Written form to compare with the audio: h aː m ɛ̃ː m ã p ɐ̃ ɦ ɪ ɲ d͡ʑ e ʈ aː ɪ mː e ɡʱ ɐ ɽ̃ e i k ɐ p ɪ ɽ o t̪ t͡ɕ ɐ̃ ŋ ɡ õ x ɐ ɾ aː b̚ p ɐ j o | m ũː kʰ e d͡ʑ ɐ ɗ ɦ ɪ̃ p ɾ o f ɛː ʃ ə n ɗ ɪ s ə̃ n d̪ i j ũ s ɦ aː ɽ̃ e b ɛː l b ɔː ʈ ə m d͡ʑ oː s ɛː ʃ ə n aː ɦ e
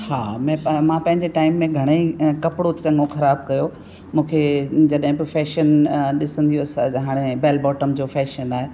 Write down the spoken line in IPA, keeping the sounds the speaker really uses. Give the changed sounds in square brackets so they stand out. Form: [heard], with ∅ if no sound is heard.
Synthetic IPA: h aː m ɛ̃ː m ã p ɐ̃ ɦ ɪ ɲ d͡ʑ e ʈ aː ɪ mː [ẽ] ɡʱ ɐ ɽ̃ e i k ɐ p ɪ ɽ o t̪ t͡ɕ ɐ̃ ŋ ɡ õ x ɐ ɾ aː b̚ [k] ɐ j o | m ũː kʰ e d͡ʑ ɐ ɗ ɦ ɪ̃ p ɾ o f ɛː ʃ ə n ɗ ɪ s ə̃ n d̪ i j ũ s ɦ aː ɽ̃ e b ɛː l b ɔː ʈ ə m d͡ʑ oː [f] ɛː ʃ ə n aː ɦ e